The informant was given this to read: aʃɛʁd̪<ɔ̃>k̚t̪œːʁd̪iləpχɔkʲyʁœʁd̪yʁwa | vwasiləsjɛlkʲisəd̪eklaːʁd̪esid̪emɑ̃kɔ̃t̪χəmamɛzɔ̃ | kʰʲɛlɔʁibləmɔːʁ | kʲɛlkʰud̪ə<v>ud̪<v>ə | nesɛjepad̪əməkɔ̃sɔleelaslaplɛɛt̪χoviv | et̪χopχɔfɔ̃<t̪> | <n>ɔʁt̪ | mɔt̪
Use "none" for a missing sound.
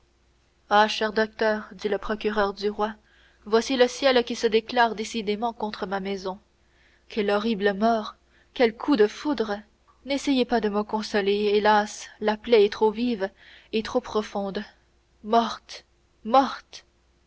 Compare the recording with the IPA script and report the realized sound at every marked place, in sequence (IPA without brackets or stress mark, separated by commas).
ɔ, f, ʁ, d̪, m